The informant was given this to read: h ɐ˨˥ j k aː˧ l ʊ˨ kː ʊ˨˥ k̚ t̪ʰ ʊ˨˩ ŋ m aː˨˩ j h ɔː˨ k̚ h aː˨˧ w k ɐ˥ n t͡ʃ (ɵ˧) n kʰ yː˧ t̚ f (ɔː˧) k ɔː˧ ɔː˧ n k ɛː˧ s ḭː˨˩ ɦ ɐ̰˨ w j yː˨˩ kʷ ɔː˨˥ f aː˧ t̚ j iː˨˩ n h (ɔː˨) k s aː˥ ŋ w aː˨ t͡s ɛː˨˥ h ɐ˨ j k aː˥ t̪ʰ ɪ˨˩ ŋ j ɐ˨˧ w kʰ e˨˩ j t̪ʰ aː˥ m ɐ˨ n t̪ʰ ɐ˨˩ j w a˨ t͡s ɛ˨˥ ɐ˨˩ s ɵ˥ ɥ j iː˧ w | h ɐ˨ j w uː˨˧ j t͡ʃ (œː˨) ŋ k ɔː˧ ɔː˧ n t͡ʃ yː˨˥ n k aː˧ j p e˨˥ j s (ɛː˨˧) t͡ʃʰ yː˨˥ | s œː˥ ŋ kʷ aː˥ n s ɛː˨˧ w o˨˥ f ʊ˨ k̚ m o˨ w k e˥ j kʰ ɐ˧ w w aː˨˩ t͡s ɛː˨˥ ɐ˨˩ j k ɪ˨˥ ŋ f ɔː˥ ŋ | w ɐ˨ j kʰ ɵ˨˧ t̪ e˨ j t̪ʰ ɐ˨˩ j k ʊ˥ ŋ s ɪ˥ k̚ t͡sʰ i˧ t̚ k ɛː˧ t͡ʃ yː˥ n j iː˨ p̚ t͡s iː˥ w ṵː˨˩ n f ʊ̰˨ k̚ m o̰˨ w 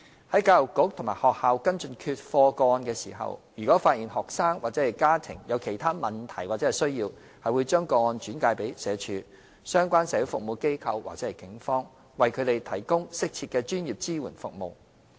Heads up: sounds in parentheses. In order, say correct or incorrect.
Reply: correct, correct, correct, incorrect: œː˥, correct

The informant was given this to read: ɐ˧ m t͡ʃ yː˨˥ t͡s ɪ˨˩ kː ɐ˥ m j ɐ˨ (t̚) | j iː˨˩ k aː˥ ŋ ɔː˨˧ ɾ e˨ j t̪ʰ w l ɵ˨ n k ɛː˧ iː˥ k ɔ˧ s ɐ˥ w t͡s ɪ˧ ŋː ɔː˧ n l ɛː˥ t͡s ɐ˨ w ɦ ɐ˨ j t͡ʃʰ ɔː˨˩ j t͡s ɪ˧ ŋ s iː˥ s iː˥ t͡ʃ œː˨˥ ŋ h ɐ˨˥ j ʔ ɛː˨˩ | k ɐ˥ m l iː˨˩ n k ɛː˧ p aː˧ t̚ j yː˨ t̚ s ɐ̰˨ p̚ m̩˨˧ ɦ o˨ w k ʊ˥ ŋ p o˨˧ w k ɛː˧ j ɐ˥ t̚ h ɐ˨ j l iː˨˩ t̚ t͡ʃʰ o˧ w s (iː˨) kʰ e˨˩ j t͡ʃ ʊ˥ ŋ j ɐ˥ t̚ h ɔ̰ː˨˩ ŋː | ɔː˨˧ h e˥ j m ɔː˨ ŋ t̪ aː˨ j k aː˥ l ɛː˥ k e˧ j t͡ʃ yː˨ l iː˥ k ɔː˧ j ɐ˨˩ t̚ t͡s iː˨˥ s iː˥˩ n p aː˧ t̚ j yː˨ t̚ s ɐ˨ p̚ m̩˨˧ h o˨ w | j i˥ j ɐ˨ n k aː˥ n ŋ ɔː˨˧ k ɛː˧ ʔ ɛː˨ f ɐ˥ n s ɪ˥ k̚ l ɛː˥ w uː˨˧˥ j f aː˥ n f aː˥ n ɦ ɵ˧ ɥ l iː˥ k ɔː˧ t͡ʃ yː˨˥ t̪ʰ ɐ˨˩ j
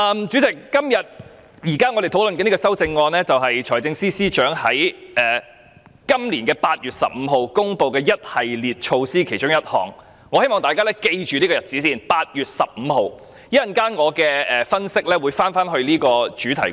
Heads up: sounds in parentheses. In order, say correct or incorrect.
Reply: correct, incorrect: iː˥

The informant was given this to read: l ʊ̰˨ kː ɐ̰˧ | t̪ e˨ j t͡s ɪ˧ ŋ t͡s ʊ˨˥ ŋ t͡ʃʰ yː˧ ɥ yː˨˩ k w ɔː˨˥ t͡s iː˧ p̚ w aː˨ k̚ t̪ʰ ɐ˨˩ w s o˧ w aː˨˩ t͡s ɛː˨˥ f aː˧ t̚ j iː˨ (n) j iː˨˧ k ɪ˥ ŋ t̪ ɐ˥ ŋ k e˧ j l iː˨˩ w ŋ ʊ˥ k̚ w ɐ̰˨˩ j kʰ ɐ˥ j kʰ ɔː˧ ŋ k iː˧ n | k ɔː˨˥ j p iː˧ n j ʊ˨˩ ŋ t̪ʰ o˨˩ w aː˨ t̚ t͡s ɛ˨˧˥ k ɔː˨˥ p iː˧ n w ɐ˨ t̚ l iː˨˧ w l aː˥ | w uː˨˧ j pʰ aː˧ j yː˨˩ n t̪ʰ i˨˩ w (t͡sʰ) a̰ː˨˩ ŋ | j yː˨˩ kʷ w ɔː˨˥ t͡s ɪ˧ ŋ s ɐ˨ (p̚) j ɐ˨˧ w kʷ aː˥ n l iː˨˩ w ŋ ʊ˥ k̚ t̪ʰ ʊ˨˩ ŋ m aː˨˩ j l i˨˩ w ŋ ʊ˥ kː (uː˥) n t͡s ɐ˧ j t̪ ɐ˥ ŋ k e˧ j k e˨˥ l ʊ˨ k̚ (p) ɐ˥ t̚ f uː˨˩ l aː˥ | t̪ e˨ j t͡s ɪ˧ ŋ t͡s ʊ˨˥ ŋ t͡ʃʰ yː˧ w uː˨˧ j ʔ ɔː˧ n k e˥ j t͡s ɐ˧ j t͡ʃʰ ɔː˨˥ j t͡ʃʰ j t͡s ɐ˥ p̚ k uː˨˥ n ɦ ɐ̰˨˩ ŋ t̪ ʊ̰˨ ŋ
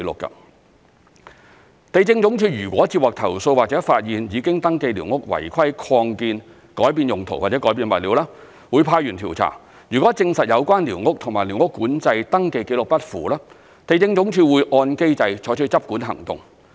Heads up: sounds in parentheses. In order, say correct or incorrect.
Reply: correct, correct, incorrect: t̚, incorrect: uː˨˥, correct

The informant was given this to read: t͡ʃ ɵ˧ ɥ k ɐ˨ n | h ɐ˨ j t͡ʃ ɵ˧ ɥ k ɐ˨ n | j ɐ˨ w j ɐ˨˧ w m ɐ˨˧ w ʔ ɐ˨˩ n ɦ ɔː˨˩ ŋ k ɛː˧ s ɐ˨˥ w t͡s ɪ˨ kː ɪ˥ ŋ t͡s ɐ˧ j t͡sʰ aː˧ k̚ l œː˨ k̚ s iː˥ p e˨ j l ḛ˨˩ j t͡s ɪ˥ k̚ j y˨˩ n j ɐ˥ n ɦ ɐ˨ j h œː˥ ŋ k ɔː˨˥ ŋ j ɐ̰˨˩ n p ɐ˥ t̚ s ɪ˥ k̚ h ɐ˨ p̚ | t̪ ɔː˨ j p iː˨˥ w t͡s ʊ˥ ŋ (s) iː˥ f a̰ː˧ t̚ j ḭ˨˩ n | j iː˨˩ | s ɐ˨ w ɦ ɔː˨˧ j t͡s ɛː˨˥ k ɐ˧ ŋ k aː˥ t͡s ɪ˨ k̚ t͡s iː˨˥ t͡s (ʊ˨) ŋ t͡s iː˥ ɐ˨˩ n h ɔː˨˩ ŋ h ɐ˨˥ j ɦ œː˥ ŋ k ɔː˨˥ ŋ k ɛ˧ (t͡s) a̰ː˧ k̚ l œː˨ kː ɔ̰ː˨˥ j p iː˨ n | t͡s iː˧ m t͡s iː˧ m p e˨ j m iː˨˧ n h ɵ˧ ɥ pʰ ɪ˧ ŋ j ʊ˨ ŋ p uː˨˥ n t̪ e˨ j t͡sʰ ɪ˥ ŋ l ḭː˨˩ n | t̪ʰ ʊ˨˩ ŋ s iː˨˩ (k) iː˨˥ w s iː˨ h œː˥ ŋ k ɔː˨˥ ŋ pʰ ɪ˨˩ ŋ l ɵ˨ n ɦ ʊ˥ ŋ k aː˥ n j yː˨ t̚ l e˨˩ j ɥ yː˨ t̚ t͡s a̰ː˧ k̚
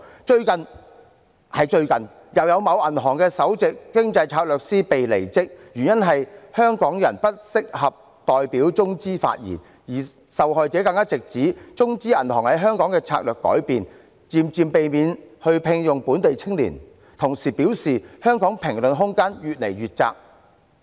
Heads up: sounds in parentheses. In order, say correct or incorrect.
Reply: incorrect: t͡s, incorrect: ʊ˥, incorrect: t͡sʰ, incorrect: p

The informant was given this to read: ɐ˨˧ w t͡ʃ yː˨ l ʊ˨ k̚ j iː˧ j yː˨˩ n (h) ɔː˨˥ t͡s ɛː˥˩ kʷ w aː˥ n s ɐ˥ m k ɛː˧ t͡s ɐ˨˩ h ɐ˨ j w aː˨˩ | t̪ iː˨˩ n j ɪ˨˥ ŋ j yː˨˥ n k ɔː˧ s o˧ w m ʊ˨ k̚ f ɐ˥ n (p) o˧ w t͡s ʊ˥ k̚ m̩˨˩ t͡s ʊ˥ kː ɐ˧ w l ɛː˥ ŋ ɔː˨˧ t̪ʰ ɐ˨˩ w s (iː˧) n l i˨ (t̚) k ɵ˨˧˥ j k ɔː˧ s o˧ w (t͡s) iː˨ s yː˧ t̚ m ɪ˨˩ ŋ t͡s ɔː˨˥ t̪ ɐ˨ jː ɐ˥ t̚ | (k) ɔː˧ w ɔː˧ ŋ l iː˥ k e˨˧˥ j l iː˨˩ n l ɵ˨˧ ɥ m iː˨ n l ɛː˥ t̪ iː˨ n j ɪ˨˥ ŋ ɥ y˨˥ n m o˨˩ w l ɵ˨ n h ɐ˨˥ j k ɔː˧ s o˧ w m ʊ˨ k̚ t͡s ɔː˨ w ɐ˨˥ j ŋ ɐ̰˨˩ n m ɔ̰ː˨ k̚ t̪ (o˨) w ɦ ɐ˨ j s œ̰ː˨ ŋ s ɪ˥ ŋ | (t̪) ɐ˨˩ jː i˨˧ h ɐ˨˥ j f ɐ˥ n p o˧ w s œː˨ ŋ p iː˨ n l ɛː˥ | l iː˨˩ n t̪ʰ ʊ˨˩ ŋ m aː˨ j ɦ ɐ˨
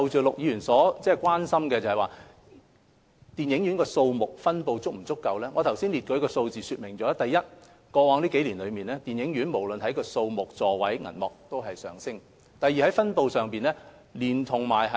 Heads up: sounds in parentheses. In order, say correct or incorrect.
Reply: incorrect: s, correct, incorrect: iː˥, correct, correct, correct, incorrect: o˥, correct

